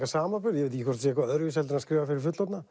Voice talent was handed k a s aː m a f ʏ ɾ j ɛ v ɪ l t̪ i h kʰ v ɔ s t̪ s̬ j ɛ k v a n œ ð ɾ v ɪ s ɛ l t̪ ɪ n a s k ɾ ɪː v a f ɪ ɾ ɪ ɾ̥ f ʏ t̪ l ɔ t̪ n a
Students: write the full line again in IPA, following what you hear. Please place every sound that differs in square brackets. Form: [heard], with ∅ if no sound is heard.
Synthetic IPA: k a s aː m a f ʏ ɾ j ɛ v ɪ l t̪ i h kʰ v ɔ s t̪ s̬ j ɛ k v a [∅] œ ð ɾ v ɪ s ɛ l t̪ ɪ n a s k ɾ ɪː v a f ɪ ɾ ɪ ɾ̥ f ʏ t̪ l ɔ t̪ n a